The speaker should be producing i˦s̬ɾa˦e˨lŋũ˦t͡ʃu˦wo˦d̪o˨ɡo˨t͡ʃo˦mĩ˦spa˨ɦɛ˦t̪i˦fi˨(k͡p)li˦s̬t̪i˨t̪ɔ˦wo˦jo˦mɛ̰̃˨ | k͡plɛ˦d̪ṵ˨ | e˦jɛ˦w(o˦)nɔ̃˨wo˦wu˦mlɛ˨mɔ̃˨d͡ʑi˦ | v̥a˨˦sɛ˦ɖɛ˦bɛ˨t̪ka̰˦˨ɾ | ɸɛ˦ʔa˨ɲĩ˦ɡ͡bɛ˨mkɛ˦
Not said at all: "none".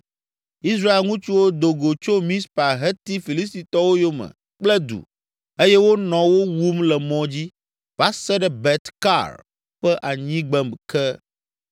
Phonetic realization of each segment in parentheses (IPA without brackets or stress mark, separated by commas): none, o˦